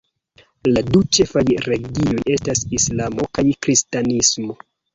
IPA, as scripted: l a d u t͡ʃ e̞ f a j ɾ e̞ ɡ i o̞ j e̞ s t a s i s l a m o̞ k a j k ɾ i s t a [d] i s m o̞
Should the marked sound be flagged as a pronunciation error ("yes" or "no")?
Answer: yes